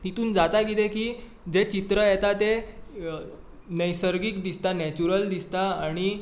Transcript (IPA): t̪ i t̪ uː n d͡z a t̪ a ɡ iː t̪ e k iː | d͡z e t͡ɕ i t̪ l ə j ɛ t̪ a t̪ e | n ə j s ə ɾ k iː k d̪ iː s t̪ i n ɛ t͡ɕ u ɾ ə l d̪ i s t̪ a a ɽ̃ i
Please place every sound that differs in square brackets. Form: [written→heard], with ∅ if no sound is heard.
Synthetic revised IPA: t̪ i t̪ uː n d͡z a t̪ a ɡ [iː→i] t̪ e k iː | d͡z e t͡ɕ i t̪ [l→ɾ] ə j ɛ t̪ a t̪ e | n ə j s ə ɾ [k→ɡ] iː k d̪ [iː→i] s t̪ [i→a] n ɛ t͡ɕ u ɾ ə l d̪ i s t̪ a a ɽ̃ i